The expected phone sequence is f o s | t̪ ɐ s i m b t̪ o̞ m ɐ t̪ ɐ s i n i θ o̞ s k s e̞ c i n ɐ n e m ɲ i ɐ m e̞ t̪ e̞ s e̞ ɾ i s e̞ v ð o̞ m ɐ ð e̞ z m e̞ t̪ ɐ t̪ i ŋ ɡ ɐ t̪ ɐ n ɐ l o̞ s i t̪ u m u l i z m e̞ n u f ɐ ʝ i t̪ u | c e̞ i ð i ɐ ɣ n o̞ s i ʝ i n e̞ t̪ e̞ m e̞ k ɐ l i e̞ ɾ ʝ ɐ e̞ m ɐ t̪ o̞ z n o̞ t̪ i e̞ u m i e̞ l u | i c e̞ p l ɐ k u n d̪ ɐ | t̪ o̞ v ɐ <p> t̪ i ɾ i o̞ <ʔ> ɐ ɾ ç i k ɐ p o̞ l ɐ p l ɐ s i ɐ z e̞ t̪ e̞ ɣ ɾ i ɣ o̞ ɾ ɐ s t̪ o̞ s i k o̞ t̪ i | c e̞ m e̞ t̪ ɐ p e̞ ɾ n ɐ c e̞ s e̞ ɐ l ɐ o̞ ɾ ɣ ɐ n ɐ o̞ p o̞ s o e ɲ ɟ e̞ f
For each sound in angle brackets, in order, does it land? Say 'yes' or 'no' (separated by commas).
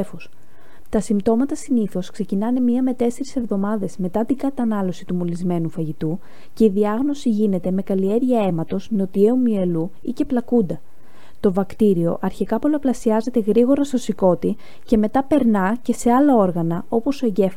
no, yes